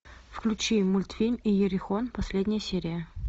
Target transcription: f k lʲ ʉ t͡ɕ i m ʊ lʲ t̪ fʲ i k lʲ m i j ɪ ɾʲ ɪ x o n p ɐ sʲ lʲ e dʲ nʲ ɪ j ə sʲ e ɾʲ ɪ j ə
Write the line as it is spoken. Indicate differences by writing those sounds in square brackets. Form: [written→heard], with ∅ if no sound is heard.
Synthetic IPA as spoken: f k lʲ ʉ t͡ɕ i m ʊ lʲ t̪ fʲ i [k→∅] lʲ m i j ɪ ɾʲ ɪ x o n p ɐ sʲ lʲ e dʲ nʲ ɪ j ə sʲ e ɾʲ ɪ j ə